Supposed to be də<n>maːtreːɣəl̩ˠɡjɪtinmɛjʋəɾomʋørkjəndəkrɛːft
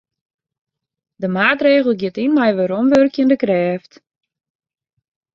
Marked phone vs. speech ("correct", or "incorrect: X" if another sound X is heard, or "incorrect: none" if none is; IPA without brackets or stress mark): incorrect: none